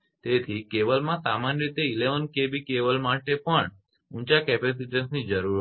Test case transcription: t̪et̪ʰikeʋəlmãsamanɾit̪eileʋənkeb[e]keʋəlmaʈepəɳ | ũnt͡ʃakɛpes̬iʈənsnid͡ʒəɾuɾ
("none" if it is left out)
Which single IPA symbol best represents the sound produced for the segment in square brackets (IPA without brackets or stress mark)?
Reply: i